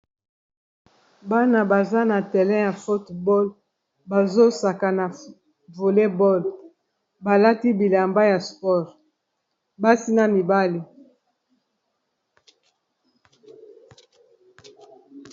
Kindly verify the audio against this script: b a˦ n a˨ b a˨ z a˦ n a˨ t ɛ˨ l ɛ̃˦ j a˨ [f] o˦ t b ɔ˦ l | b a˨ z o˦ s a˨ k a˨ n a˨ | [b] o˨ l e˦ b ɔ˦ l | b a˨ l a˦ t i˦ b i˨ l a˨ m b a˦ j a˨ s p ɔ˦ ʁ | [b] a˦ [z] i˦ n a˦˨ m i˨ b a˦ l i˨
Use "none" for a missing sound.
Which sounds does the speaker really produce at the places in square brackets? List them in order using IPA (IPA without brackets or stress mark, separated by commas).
f, v, b, s